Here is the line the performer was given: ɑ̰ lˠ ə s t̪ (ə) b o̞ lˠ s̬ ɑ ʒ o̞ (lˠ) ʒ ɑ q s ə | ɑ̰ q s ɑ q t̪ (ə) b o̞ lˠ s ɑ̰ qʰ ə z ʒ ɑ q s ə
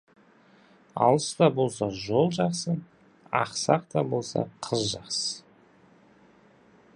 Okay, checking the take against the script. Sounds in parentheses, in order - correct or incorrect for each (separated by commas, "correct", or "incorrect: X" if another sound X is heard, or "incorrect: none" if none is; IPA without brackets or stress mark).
incorrect: ɑ, correct, incorrect: ɑ